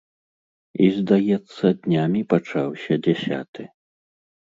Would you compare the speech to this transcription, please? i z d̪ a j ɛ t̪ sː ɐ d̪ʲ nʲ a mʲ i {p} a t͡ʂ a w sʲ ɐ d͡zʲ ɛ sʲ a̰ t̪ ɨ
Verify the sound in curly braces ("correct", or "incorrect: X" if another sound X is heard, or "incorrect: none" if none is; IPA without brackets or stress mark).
correct